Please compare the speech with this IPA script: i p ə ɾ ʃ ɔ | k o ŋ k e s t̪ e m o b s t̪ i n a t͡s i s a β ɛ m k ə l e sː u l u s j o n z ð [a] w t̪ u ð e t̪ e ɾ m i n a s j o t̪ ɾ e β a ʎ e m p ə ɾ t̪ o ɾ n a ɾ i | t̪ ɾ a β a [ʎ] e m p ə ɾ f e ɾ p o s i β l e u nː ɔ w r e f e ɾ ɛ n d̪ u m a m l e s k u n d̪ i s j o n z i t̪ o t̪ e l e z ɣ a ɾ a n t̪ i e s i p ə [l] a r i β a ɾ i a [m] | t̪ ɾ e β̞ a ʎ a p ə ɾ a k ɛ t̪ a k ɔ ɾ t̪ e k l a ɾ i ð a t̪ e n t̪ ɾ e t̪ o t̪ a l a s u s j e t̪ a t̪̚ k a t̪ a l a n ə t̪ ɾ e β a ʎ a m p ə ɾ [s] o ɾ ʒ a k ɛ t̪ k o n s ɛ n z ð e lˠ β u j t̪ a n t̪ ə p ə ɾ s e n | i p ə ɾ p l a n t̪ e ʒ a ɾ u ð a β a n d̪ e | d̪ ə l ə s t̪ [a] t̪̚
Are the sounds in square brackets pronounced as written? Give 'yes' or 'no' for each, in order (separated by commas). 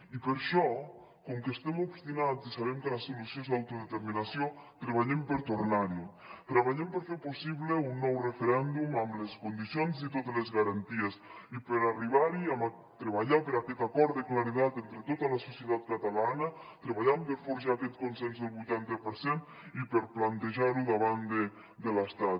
yes, yes, no, yes, no, yes